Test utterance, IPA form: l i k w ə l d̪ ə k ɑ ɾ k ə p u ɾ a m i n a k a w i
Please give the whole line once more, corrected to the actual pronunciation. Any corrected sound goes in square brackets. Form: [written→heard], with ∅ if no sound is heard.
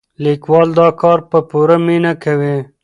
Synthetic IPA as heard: l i k w [ə→ɑ] l d̪ [ə→ɑ] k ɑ ɾ [k→p] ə p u ɾ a m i n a k a w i